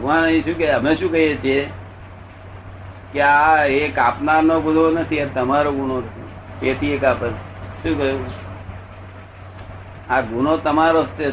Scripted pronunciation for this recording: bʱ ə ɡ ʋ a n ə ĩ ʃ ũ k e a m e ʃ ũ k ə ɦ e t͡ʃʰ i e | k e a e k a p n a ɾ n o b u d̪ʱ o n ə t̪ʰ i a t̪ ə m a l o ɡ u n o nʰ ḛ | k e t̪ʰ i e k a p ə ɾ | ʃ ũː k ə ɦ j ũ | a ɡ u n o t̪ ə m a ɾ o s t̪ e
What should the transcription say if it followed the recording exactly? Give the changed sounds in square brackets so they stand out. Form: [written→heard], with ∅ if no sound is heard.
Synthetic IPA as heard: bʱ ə ɡ ʋ a n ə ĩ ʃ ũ k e [a→ə] m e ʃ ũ k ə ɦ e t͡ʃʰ i e | k e a e k a p n a ɾ n o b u d̪ʱ o n ə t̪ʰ i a t̪ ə m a [l→ɾ] o ɡ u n o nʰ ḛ | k e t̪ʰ i e k a p ə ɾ | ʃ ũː k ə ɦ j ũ | a ɡ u n o t̪ ə m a ɾ o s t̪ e